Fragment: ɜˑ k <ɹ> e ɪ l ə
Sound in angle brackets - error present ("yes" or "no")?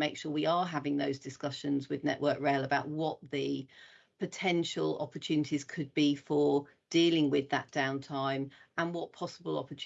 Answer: no